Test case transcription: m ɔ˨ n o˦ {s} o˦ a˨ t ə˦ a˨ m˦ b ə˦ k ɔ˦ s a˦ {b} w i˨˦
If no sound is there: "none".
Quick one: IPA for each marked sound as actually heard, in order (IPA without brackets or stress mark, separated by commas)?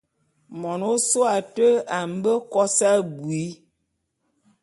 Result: s, b